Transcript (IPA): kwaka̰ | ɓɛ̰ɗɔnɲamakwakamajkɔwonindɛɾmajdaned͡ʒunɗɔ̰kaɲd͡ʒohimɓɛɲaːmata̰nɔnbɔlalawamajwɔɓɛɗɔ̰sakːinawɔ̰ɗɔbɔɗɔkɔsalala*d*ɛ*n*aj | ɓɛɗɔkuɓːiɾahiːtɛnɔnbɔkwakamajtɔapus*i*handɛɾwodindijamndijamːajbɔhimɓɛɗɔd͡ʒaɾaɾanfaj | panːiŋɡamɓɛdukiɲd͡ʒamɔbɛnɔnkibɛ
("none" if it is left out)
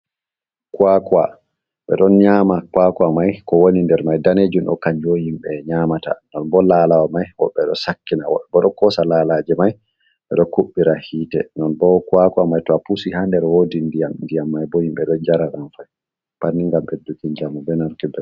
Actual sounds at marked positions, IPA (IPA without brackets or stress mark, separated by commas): d͡ʒ, m, i